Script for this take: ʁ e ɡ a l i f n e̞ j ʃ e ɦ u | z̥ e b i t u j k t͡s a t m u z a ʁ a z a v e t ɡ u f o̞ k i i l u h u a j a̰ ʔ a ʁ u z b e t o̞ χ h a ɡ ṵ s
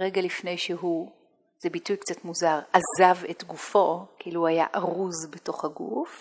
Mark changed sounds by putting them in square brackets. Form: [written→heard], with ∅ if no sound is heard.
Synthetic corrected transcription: ʁ e ɡ a l i f n e̞ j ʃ e ɦ u | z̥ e b i t u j k t͡s a t m u z a ʁ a z a v e t ɡ u f o̞ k i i l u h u a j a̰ ʔ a ʁ u z b e t o̞ χ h a ɡ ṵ [s→f]